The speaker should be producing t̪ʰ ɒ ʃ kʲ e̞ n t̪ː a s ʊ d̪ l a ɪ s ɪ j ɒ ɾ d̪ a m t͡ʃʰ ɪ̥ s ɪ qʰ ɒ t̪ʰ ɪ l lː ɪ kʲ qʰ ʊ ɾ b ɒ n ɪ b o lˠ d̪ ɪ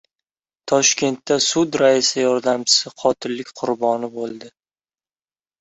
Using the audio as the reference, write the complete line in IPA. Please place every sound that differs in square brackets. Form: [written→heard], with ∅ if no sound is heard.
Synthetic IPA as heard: t̪ʰ ɒ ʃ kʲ e̞ n t̪ː a s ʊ d̪ [l→ɾ] a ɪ s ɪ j ɒ ɾ d̪ a m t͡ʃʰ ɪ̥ s ɪ qʰ ɒ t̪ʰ ɪ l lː ɪ kʲ qʰ ʊ ɾ b ɒ n ɪ b o lˠ d̪ ɪ